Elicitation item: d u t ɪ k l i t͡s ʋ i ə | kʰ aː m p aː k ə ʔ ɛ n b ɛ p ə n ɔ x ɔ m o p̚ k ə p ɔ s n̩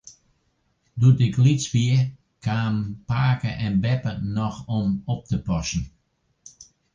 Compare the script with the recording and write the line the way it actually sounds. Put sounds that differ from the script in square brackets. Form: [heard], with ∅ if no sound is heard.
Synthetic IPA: d u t ɪ k l i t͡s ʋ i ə | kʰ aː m p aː k ə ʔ ɛ n b ɛ p ə n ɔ x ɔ m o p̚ [t] ə p ɔ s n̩